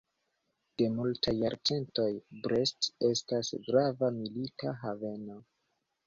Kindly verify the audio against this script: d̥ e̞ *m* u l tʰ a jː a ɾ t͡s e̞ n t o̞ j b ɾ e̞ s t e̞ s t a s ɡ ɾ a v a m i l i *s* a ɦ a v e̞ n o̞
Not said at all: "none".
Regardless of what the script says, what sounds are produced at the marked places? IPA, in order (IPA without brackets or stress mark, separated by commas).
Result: m, t